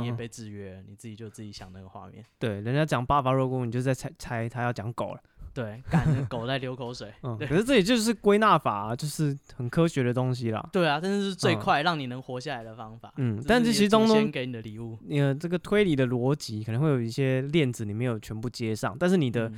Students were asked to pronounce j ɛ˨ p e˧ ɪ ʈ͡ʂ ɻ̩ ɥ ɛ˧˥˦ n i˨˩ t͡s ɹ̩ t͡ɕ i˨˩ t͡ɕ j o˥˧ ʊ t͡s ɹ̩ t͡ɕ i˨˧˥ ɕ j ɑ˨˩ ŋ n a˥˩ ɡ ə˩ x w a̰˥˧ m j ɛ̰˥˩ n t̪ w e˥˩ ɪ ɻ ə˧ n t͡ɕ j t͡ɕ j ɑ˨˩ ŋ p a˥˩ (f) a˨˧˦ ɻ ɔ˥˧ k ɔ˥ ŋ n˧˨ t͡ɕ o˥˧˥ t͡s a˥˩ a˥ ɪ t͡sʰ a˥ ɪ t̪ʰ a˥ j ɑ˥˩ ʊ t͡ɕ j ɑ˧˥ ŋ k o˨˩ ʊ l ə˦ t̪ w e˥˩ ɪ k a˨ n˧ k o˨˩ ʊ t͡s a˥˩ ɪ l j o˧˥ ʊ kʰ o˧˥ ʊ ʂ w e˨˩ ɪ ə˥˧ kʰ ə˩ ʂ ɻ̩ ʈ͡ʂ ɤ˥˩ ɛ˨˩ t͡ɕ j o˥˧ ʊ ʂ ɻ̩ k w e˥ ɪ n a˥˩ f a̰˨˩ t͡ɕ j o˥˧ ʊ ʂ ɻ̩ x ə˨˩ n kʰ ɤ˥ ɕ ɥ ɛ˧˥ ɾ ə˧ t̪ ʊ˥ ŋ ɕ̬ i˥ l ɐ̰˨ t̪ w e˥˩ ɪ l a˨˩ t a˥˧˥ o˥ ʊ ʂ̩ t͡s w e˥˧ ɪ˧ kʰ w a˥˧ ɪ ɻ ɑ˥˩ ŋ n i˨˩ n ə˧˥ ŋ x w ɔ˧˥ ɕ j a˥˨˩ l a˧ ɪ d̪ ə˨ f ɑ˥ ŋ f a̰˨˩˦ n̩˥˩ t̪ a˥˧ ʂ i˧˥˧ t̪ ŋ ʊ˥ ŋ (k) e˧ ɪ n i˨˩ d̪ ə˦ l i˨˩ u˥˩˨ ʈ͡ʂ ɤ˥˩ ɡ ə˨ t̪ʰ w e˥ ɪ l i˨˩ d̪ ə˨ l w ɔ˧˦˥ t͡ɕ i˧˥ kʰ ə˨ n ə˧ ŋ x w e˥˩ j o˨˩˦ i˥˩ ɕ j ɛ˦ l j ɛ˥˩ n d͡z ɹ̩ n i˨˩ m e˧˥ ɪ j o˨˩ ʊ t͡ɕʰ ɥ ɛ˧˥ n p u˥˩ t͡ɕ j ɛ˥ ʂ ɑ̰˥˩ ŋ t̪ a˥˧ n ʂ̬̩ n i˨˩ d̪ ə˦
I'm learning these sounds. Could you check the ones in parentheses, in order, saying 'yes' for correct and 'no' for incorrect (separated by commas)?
yes, yes